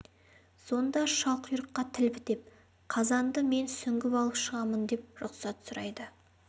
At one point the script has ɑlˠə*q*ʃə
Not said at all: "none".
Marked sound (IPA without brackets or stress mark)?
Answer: p